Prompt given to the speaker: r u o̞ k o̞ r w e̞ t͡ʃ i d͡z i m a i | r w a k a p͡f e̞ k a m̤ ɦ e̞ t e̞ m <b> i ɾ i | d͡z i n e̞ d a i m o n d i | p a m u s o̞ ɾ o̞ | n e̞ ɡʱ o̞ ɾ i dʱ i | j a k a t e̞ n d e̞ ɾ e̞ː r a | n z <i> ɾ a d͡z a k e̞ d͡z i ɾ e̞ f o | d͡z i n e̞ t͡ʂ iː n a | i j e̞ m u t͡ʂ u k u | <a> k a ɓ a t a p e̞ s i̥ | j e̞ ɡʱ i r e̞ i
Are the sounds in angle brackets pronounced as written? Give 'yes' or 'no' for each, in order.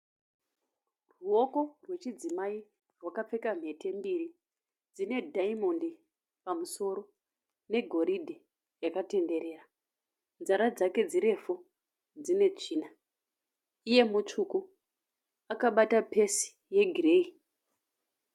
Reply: yes, no, yes

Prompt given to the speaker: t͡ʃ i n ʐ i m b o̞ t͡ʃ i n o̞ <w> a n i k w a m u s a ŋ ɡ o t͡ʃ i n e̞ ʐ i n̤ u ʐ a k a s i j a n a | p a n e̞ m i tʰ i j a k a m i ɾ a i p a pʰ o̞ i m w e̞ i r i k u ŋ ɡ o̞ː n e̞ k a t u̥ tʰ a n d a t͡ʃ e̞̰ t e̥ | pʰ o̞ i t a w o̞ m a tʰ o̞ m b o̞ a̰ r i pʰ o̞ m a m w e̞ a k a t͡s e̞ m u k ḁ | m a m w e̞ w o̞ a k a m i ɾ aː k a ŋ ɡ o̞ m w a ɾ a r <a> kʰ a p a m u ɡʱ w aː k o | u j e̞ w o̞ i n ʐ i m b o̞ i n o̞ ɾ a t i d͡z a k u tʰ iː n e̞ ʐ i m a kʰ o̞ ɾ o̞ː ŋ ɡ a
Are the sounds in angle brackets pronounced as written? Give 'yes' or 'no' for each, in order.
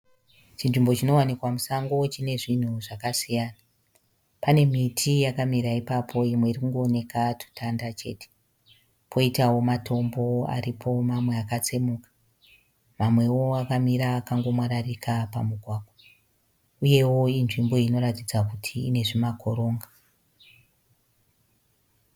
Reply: yes, no

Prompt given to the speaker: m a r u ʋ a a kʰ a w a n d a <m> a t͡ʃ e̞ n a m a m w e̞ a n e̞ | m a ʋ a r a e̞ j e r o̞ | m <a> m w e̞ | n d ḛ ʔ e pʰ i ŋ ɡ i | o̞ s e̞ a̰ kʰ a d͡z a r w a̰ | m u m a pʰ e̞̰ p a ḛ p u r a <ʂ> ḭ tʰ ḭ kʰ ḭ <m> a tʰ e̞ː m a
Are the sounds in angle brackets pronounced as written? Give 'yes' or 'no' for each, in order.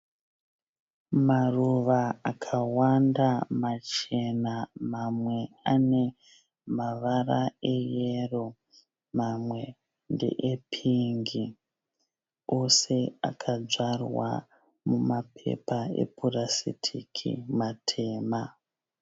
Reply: yes, yes, no, yes

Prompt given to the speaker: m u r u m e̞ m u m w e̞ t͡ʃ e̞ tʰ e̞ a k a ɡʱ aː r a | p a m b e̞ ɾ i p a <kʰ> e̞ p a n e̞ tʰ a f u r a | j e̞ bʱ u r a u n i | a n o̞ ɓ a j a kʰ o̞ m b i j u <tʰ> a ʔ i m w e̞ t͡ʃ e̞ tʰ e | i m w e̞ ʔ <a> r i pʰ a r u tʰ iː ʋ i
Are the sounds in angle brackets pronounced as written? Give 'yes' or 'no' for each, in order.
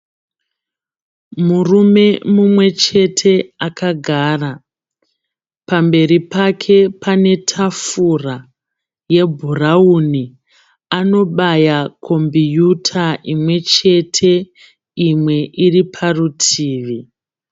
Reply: yes, yes, no

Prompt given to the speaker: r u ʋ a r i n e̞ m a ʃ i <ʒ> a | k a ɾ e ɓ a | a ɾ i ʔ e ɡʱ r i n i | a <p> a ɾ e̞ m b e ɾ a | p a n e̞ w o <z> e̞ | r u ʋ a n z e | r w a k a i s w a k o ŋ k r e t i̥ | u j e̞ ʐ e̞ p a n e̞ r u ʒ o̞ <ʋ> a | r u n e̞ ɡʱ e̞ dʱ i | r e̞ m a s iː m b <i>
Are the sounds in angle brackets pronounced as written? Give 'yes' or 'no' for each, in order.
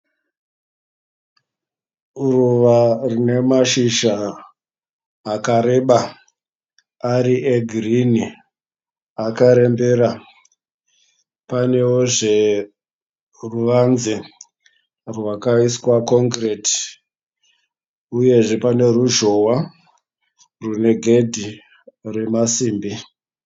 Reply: no, no, no, no, yes

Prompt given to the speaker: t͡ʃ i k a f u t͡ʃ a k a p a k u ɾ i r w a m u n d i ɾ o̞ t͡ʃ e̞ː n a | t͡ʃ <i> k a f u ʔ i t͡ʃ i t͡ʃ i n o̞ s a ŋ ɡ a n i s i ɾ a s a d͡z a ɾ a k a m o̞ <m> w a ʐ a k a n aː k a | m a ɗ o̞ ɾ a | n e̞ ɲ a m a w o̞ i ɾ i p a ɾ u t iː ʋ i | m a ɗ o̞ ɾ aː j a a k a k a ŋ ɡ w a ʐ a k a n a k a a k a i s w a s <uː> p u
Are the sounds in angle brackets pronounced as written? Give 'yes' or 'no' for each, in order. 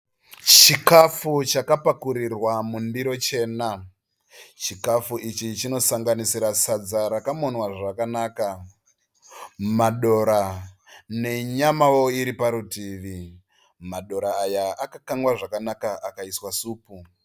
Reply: yes, no, yes

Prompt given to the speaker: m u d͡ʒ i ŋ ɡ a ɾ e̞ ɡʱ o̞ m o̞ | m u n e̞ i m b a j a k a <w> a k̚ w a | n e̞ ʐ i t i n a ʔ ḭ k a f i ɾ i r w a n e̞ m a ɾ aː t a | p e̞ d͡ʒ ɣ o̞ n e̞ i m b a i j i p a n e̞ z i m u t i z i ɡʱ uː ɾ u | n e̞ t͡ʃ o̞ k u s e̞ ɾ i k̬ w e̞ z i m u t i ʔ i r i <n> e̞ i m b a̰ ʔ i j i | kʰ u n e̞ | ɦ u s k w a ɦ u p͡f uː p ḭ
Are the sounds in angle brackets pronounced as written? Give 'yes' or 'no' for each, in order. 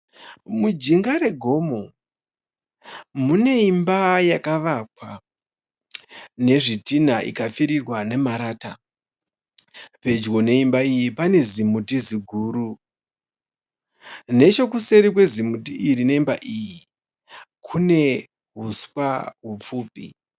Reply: no, yes

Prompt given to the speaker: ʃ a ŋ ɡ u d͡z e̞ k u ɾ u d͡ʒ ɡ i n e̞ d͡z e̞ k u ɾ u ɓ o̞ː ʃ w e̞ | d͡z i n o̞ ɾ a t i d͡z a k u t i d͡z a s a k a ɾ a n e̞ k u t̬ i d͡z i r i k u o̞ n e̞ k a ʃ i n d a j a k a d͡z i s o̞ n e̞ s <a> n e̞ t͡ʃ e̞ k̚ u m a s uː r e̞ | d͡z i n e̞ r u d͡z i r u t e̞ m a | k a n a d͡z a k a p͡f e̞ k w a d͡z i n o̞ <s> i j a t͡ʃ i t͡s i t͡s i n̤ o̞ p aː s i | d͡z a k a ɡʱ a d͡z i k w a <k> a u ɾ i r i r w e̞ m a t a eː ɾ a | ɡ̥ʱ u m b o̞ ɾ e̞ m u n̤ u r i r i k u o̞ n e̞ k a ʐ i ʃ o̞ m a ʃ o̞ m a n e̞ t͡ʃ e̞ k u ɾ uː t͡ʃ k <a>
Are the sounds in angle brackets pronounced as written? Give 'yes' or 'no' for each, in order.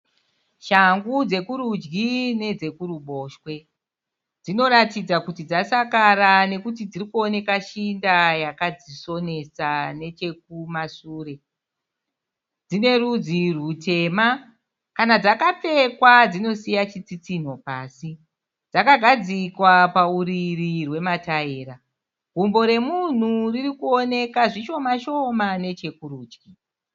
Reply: yes, yes, no, no

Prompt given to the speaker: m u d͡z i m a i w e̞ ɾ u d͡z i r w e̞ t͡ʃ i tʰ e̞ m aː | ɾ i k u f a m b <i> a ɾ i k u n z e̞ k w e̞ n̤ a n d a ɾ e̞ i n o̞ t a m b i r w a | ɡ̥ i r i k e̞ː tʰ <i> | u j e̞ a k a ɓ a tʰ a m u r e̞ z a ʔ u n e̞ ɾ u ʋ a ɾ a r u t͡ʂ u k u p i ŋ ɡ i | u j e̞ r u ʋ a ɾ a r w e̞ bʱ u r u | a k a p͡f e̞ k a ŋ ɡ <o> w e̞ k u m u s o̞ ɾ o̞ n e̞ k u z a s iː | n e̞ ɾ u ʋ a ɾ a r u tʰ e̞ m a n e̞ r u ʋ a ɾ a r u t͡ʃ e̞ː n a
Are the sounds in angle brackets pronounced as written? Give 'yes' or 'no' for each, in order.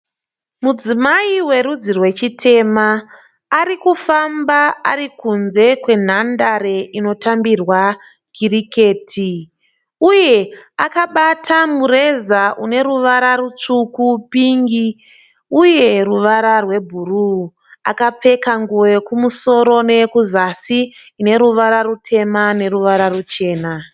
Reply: no, yes, no

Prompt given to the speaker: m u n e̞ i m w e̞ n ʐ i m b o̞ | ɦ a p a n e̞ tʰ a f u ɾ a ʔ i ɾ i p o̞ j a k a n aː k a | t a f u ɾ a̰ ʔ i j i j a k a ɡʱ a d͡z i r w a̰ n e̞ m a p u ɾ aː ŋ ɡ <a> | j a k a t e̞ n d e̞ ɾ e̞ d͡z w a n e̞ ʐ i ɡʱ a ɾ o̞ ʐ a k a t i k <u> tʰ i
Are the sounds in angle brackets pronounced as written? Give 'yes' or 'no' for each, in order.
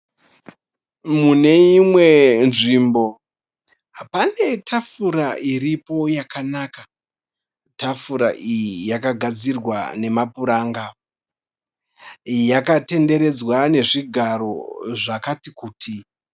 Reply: yes, no

